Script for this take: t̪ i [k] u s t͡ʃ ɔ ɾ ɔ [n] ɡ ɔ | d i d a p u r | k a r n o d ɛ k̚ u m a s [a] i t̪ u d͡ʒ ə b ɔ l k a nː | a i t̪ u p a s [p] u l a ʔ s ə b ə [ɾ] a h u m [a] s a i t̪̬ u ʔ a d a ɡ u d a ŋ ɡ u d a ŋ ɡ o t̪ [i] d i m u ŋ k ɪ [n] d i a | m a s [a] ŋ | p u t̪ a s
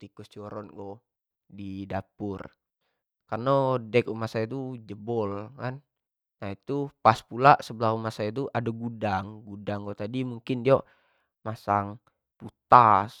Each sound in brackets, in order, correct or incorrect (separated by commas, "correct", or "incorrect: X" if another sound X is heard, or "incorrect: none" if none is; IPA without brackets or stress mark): correct, correct, correct, correct, incorrect: l, correct, incorrect: a, correct, correct